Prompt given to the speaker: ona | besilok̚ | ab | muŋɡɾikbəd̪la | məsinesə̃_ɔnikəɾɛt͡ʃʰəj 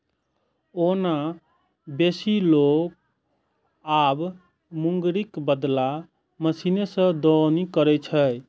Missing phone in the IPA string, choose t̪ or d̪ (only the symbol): d̪